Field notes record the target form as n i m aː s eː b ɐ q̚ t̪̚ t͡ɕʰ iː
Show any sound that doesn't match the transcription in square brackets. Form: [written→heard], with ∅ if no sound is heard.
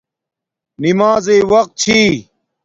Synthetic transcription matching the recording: n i m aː [s→z] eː [b→w] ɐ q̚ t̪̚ t͡ɕʰ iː